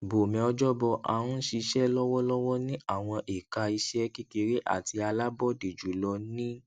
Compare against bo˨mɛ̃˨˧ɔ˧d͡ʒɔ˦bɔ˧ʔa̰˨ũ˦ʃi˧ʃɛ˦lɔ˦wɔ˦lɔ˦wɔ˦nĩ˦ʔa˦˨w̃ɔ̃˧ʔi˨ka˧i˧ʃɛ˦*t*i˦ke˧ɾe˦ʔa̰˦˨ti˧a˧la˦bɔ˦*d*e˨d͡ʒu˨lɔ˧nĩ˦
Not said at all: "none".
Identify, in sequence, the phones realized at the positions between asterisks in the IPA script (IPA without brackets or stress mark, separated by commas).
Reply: k, d